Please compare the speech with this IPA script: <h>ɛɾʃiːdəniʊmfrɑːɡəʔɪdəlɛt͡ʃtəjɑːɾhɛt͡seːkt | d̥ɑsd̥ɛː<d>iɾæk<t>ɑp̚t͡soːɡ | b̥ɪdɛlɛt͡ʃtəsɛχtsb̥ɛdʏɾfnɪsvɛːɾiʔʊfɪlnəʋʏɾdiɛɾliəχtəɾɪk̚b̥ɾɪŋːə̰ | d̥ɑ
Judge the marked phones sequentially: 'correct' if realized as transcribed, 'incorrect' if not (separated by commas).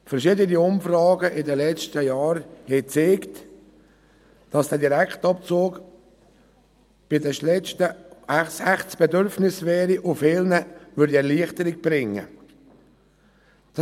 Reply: incorrect, correct, correct